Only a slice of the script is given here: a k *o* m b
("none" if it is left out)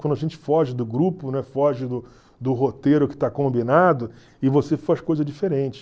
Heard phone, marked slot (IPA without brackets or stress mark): õ